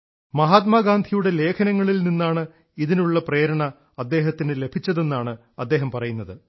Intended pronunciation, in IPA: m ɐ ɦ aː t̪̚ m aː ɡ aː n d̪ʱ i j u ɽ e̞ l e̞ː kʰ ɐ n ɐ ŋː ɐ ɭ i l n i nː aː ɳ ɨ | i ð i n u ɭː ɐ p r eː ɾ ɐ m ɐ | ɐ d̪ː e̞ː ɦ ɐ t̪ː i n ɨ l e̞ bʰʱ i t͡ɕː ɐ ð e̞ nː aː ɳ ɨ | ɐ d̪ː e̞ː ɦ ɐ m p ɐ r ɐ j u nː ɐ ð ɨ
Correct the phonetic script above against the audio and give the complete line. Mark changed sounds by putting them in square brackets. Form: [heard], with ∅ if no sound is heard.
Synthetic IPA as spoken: m ɐ ɦ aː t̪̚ m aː ɡ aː n d̪ʱ i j u ɽ e̞ l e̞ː kʰ ɐ n ɐ ŋː ɐ ɭ i l n i nː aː ɳ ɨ | i ð i n u ɭː ɐ p r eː ɾ ɐ [ɳ] ɐ | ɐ d̪ː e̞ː ɦ ɐ t̪ː i n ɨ l e̞ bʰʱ i t͡ɕː ɐ ð e̞ nː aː ɳ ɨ | ɐ d̪ː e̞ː ɦ ɐ m p ɐ r ɐ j u nː ɐ ð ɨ